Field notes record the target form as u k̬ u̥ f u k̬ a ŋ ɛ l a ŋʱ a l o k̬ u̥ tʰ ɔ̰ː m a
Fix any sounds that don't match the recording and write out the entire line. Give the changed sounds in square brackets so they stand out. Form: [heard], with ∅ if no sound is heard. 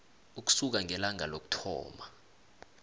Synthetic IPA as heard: u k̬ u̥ [s] u k̬ a ŋ ɛ l a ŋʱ a l o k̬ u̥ tʰ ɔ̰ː m a